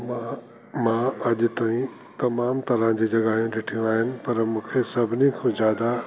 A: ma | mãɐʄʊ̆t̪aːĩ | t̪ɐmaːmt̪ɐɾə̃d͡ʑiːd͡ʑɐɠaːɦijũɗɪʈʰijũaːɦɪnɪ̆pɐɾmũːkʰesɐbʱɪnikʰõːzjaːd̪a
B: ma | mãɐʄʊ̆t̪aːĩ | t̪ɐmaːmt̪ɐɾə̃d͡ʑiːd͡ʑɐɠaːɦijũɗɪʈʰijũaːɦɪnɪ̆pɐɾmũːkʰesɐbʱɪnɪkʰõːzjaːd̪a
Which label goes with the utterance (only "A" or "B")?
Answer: A